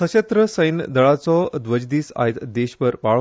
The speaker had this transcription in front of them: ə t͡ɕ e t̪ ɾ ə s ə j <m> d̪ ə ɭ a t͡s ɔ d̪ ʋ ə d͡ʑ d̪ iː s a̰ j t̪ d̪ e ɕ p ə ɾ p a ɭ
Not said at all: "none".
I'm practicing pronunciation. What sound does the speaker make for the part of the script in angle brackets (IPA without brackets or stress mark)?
n